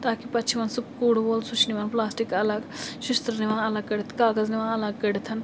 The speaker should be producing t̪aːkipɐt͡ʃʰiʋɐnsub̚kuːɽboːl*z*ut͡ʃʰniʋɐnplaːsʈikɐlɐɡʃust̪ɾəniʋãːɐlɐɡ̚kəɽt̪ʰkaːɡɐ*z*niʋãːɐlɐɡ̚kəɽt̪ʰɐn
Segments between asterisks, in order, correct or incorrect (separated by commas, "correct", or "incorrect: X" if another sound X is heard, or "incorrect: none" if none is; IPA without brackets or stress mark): incorrect: s, correct